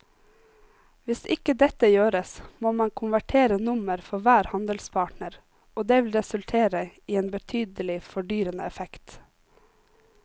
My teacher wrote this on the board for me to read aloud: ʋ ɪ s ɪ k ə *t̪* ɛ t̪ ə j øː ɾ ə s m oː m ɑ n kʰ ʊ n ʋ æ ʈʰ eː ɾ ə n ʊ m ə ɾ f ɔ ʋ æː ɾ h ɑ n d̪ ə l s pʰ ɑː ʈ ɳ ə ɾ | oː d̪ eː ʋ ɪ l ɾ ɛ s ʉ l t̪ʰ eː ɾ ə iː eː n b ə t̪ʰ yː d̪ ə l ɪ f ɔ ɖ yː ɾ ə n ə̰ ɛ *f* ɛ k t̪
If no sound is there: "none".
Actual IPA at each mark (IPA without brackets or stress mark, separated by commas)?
d̪, f